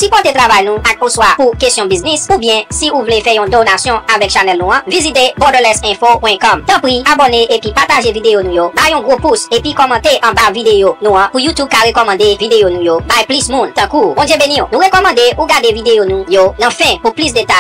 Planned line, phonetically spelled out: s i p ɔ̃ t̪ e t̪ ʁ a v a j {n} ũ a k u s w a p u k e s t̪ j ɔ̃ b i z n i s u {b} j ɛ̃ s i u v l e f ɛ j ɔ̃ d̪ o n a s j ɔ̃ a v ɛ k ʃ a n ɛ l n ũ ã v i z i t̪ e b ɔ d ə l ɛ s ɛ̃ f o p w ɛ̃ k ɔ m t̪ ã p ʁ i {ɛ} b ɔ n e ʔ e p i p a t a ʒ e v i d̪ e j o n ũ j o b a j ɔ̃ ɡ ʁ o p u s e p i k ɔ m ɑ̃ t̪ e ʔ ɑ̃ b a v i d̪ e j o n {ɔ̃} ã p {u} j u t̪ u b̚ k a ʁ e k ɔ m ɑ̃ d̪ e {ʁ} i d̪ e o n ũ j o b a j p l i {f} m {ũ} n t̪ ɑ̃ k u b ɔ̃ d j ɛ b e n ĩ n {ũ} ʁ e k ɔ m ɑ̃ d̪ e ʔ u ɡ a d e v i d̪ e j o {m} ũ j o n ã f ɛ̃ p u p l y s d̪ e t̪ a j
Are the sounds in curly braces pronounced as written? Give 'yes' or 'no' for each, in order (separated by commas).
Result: yes, yes, no, no, yes, no, no, yes, yes, no